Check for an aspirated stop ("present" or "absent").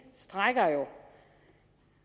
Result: absent